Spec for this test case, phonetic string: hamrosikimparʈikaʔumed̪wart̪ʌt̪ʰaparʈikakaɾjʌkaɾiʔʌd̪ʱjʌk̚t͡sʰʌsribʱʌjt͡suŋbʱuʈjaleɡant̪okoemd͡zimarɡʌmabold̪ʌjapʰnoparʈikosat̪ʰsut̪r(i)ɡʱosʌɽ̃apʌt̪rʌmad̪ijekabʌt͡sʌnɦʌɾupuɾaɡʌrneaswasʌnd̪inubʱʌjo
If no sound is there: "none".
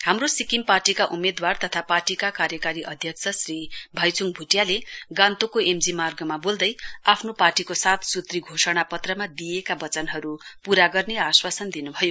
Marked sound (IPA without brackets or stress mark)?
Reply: i